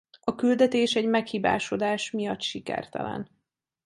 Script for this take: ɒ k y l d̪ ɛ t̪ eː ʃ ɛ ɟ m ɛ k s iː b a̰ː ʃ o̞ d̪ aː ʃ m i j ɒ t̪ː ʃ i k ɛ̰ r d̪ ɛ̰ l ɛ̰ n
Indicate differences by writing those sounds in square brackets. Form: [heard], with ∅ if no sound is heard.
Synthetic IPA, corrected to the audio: ɒ k y l d̪ ɛ t̪ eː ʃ ɛ ɟ m ɛ k [h] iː b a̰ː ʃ o̞ d̪ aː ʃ m i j ɒ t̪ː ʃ i k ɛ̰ r [t̪] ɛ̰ l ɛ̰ n